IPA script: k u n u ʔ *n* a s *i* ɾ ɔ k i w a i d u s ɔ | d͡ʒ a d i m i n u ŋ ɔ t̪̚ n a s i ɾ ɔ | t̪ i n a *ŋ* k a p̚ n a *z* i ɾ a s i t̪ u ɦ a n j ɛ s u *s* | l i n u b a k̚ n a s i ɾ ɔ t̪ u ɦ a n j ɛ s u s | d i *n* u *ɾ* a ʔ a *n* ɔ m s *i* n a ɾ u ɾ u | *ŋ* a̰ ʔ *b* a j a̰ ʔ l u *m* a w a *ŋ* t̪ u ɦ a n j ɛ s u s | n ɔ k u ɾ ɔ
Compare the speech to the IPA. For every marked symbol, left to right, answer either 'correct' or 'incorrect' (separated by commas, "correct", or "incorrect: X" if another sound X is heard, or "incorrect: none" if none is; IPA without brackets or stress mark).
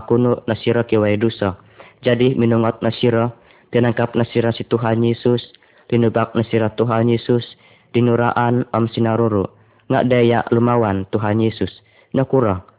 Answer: correct, correct, correct, incorrect: s, correct, correct, correct, correct, correct, correct, incorrect: d, correct, incorrect: n